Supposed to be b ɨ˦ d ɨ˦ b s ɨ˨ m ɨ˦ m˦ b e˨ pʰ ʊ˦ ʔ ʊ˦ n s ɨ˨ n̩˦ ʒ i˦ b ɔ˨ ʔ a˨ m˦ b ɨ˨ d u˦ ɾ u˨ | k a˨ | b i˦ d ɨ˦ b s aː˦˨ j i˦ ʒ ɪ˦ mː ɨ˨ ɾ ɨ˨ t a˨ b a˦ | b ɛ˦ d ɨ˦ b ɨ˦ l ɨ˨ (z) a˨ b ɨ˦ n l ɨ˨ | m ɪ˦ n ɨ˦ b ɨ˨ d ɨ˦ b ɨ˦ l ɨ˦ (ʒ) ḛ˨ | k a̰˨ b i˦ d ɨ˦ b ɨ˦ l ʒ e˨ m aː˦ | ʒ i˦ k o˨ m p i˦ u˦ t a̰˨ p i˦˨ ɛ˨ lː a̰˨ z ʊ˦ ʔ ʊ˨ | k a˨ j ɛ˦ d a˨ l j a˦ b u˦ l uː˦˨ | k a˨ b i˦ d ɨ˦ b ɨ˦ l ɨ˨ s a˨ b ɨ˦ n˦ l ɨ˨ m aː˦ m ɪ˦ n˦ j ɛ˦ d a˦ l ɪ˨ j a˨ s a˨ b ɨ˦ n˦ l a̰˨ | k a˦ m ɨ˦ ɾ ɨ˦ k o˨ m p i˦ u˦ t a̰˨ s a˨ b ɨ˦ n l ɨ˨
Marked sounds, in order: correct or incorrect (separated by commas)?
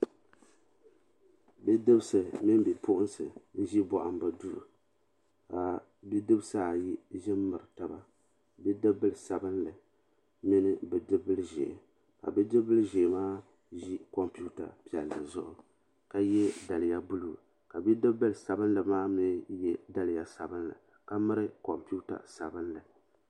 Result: incorrect, correct